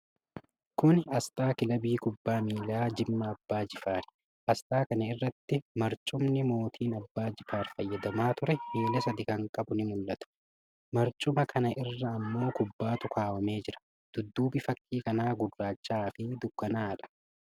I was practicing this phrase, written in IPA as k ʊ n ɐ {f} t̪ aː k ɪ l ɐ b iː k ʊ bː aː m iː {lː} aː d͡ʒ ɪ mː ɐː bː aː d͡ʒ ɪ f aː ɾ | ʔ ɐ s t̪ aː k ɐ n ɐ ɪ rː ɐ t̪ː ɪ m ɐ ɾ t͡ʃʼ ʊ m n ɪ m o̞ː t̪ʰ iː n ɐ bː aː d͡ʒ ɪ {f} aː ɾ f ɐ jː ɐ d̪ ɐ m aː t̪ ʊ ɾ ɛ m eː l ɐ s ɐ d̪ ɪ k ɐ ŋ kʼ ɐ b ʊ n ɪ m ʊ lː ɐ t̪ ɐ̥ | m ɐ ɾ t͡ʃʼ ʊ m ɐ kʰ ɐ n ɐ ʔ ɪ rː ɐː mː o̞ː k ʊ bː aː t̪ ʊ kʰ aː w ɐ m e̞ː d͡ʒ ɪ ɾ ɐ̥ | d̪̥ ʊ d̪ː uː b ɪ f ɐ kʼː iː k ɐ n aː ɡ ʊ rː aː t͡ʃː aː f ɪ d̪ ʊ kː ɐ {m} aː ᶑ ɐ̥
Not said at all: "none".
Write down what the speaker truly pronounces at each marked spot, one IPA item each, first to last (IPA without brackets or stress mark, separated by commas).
s, l, f, n